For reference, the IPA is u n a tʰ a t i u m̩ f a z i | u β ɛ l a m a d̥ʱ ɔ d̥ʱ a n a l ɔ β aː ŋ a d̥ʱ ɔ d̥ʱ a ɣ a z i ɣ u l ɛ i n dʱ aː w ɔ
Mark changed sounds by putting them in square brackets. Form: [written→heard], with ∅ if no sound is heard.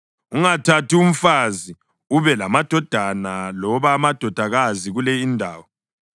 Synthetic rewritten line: u [n→ŋ] a tʰ a t i u m̩ f a z i | u β ɛ l a m a d̥ʱ ɔ d̥ʱ a n a l ɔ β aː [ŋ→m] a d̥ʱ ɔ d̥ʱ a ɣ a z i ɣ u l ɛ i n dʱ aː w ɔ

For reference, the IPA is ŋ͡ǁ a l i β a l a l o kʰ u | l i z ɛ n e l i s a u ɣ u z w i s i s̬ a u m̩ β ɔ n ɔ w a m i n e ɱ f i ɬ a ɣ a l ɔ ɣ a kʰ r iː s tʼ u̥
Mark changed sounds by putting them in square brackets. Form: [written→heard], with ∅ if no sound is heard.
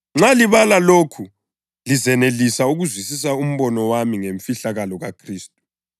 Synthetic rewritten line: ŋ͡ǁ a l i β a l a l o kʰ u | l i z ɛ n e l i s a u ɣ u z w i s i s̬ a u m̩ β ɔ n ɔ w a m i [n→ŋ] e ɱ f i ɬ a ɣ a l ɔ ɣ a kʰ r iː s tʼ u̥

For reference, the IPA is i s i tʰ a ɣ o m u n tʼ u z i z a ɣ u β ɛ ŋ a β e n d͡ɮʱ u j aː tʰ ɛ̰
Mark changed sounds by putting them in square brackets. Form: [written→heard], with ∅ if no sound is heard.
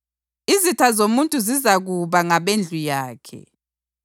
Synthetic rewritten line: i [s→z] i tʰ a [ɣ→z] o m u n tʼ u z i z a ɣ u β [ɛ→a] ŋ a β e n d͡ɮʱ u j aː [tʰ→kʰ] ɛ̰

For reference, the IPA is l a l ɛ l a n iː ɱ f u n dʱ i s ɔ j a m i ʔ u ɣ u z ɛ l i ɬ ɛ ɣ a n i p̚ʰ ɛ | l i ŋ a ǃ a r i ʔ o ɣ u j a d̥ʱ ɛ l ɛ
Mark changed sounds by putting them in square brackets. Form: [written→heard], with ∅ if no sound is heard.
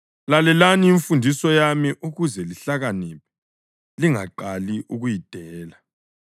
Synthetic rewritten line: l a l ɛ l a n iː ɱ f u n dʱ i s ɔ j a m i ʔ u ɣ u z ɛ l i ɬ [ɛ→a] ɣ a n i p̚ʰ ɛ | l i ŋ a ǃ a [r→l] i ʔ [o→u] ɣ u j [a→i] d̥ʱ [ɛ→ɛː] l [ɛ→a]

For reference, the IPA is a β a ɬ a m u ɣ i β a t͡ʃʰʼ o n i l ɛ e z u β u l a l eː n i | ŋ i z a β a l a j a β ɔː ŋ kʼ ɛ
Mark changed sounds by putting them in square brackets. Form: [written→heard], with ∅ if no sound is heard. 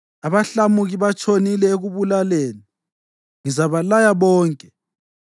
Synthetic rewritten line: a β a ɬ a m u ɣ i β a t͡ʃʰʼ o n i l ɛ e [z→ɣ] u β u l a l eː n i | ŋ i z a β a l a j a β ɔː ŋ kʼ ɛ

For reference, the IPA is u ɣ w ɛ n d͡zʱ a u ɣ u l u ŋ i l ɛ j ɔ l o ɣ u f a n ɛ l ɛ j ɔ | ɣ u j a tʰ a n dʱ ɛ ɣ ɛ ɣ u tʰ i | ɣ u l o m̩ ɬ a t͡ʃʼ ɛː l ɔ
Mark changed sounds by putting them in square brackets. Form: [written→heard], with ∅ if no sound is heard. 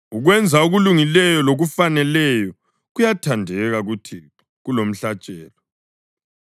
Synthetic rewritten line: u ɣ w ɛ n d͡zʱ a u ɣ u l u ŋ i l ɛ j ɔ l o ɣ u f a n ɛ l ɛ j ɔ | ɣ u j a tʰ a n dʱ ɛ ɣ [ɛ→a] ɣ u tʰ i | ɣ u l o m̩ ɬ a t͡ʃʼ ɛː l ɔ

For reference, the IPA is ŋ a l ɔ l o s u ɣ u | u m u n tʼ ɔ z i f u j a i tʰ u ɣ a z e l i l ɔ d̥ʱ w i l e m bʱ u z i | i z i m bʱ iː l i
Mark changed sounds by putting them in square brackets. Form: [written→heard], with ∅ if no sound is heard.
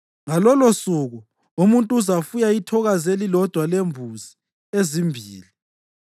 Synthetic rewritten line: ŋ a l ɔ l o s u ɣ u | u m u n tʼ [ɔ→u] z [i→a] f u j a i tʰ [u→ɔ] ɣ a z e l i l ɔ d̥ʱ w [i→a] l e m bʱ u z i | [i→e] z i m bʱ iː l i

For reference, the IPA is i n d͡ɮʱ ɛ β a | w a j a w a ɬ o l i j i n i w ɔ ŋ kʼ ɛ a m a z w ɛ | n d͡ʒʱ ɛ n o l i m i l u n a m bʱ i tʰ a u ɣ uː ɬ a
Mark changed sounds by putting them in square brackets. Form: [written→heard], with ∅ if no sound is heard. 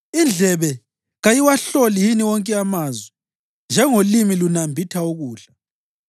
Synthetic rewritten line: i n d͡ɮʱ ɛ β [a→ɛ] | [w→ɣ] a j [a→i] w a ɬ o l i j i n i w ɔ ŋ kʼ ɛ a m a z w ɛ | n d͡ʒʱ ɛ [n→ŋ] o l i m i l u n a m bʱ i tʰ a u ɣ uː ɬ a

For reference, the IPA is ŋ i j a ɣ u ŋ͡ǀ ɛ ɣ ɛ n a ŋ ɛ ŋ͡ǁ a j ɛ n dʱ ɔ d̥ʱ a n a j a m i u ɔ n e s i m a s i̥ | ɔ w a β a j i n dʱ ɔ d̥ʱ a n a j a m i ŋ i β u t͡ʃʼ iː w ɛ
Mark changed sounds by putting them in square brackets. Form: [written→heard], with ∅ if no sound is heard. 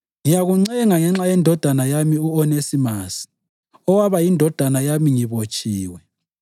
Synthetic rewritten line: ŋ i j a ɣ u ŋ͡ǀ ɛ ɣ ɛ [n→ŋ] a ŋ ɛ ŋ͡ǁ a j ɛ n dʱ ɔ d̥ʱ a n a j a m i u ɔ n e s i m a s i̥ | ɔ w a β a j i n dʱ ɔ d̥ʱ a n a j a m i ŋ i β [u→o] t͡ʃʼ iː w ɛ

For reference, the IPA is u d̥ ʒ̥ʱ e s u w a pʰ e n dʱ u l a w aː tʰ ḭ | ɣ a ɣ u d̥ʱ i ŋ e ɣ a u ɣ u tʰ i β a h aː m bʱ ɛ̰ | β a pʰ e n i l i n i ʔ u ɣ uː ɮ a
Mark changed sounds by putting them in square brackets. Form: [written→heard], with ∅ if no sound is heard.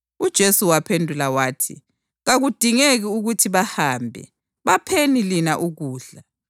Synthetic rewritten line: u d̥ ʒ̥ʱ e s u w a pʰ e n dʱ u l a w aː tʰ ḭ | ɣ a ɣ u d̥ʱ i ŋ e ɣ [a→i] u ɣ u tʰ i β a h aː m bʱ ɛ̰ | β a pʰ e n i l i n [i→a] ʔ u ɣ uː ɮ a

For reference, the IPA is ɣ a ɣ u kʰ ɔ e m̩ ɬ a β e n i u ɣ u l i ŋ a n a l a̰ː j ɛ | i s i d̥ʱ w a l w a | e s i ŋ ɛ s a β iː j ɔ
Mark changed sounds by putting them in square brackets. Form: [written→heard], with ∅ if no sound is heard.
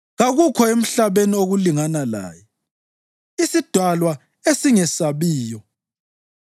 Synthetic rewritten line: ɣ a ɣ u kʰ ɔ e m̩ ɬ a β e n i [u→o] ɣ u l i ŋ a n a l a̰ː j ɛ | i s i d̥ʱ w a l w a | e s i ŋ ɛ s a β iː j ɔ

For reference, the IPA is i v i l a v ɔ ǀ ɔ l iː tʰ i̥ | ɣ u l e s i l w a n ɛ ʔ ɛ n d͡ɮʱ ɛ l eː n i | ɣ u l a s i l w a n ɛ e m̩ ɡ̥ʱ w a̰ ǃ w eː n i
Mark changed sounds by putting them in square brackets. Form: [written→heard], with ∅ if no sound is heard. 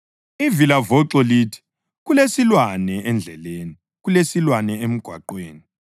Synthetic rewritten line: i v i l a v ɔ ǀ ɔ l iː tʰ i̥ | ɣ u l e s i l w a n ɛ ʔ ɛ n d͡ɮʱ ɛ l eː n i | ɣ u l [a→e] s i l w a n ɛ e m̩ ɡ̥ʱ w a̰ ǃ w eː n i

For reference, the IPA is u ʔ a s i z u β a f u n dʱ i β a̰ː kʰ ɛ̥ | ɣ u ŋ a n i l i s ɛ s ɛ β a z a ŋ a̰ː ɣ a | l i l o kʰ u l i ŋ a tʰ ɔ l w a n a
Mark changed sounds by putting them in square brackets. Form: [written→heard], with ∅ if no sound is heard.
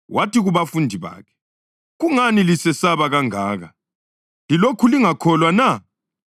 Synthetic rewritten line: [u→w] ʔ a [s→t] i [z→ɣ] u β a f u n dʱ i β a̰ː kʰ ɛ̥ | ɣ u ŋ a n i l i s ɛ s [ɛ→a] β a [z→ɣ] a ŋ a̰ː ɣ a | l i l o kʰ u l i ŋ a [tʰ→kʰ] ɔ l w a n a

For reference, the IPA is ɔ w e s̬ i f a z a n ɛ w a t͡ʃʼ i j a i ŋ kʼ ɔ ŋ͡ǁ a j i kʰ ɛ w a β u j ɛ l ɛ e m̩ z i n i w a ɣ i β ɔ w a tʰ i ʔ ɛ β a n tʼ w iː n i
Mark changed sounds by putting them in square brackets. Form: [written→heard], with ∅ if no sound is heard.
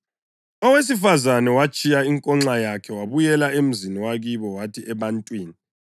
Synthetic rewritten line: ɔ w e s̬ i f a z a n ɛ w a t͡ʃʼ i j a i ŋ kʼ ɔ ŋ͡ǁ a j [i→a] kʰ ɛ w a β u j ɛ l [ɛ→a] e m̩ z i n i w a ɣ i β ɔ w a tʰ i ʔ ɛ β a n tʼ w iː n i

